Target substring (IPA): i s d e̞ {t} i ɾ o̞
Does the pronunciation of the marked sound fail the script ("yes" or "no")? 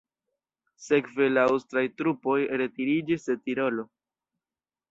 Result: no